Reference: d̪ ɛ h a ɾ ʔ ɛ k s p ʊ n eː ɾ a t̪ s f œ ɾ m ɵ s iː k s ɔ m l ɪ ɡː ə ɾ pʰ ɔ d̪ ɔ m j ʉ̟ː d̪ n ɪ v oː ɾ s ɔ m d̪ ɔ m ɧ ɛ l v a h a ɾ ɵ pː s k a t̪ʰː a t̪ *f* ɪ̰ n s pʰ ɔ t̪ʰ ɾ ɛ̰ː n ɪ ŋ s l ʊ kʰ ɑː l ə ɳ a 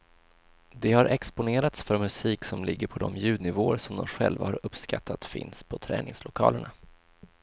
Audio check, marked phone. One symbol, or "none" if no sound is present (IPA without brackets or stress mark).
f